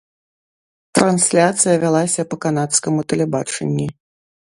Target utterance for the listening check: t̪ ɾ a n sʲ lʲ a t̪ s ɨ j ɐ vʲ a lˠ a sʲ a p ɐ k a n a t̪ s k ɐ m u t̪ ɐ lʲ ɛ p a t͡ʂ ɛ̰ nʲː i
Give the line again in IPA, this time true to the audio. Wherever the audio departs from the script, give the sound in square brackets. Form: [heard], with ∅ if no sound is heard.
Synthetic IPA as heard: t̪ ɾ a n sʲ lʲ a t̪ s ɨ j ɐ vʲ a lˠ a sʲ [ɐ] p ɐ k a n a t̪ s k ɐ m u t̪ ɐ lʲ ɛ [b] a t͡ʂ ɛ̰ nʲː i